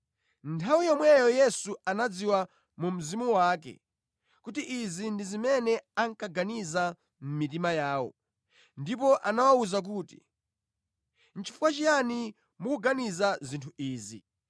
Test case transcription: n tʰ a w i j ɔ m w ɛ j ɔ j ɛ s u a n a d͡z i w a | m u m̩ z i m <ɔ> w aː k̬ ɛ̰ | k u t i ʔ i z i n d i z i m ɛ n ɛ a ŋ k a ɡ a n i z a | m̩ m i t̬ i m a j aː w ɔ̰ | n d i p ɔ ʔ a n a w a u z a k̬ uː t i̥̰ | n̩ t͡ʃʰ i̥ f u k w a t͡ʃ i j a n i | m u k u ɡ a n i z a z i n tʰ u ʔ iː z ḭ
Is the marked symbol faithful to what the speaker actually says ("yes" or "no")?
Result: no